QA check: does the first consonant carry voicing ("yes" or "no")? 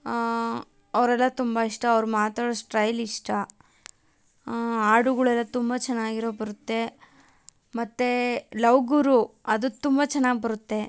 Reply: yes